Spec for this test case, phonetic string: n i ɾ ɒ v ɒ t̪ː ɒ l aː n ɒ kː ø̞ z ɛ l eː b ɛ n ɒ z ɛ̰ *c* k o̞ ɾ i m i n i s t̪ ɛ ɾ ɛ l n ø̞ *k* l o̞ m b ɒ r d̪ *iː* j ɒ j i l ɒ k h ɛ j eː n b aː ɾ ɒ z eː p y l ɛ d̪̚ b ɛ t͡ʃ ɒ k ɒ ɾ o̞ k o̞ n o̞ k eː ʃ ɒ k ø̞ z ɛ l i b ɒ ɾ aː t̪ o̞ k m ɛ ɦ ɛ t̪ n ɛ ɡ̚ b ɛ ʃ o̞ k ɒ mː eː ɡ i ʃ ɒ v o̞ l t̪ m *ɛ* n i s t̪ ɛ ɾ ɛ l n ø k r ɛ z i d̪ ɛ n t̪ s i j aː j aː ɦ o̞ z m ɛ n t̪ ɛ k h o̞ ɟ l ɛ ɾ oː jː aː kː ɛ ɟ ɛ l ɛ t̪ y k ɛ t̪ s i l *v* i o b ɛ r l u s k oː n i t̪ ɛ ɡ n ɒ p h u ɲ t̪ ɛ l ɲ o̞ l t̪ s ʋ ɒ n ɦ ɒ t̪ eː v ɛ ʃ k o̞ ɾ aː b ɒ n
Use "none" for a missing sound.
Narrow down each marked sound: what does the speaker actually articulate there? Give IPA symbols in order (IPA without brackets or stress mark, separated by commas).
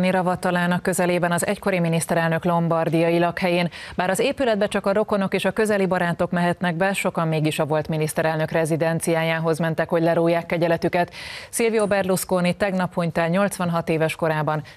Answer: c, k, i, i, v